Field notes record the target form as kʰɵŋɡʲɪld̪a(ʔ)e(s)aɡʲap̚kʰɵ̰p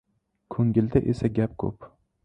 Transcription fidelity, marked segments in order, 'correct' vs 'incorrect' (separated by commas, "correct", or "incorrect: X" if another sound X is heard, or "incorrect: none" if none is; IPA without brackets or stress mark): correct, correct